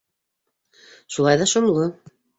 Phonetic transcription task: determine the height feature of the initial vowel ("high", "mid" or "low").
high